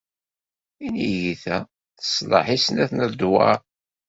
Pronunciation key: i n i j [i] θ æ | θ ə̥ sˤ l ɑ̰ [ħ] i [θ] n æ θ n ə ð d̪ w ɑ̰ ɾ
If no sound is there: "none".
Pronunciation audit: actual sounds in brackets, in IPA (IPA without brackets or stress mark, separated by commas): i, ħ, s